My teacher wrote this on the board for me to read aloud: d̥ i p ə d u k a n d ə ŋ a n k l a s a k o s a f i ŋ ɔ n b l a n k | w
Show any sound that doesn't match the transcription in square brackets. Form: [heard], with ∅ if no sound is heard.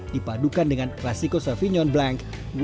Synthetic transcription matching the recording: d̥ i p [a] d u k a n d ə ŋ a n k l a s [i] k o s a f i [ɲ] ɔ n b l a [ŋ] k | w